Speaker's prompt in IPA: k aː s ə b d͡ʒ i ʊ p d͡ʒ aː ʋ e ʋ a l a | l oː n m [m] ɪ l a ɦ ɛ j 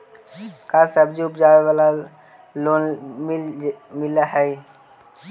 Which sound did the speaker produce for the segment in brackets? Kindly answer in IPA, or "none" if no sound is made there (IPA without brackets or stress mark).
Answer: m